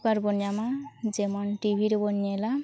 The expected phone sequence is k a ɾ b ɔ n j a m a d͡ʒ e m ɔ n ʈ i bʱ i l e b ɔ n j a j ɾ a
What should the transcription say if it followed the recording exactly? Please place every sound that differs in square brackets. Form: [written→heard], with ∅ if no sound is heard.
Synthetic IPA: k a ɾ b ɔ n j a m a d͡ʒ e m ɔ n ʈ i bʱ i [l→ɾ] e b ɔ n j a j [ɾ→l] a